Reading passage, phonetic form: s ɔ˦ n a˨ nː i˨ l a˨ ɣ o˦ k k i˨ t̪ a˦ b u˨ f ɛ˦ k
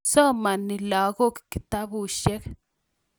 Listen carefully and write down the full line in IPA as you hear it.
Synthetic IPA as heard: s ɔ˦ m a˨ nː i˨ l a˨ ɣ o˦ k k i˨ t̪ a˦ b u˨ ʃ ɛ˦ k

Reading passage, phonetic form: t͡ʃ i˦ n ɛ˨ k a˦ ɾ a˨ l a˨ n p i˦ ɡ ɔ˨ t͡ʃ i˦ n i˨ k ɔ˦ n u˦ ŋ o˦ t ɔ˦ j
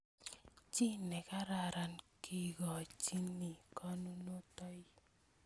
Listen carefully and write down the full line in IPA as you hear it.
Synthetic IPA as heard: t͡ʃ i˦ n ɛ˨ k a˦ ɾ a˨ ɾ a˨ n k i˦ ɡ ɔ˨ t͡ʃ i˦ n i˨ k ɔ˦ n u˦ n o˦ t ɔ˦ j

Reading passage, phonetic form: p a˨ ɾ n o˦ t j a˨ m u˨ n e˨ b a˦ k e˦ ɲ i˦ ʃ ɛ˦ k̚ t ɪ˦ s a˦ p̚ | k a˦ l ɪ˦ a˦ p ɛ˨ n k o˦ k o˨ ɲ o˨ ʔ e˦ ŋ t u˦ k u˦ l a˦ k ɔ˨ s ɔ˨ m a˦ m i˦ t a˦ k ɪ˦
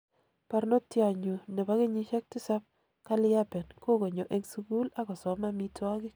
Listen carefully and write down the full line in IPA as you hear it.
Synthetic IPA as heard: p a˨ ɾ n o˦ t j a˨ ɲ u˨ n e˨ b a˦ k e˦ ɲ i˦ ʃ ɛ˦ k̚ t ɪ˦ s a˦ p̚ | k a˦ l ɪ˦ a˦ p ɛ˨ n k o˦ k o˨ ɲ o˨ ʔ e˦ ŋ s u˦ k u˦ l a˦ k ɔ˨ s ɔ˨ m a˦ m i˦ t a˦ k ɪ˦

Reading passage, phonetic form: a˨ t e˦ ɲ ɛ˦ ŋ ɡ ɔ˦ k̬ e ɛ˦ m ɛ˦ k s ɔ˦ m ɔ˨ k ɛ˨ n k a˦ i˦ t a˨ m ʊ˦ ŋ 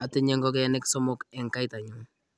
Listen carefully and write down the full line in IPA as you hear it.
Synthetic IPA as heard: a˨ t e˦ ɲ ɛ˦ ŋ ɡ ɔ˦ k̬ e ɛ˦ n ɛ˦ k s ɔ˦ m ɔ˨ k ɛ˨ ŋ k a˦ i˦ t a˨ ɲ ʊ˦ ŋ

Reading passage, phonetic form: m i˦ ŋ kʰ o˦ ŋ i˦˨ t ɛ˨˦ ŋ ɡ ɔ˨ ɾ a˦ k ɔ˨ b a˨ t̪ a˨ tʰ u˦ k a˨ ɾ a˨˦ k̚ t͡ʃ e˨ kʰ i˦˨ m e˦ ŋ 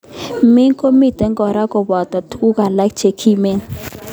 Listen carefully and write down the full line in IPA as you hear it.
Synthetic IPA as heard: m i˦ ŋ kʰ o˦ m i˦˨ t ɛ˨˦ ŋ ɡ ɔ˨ ɾ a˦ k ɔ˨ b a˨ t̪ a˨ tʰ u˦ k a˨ l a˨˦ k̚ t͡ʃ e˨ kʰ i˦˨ m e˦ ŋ

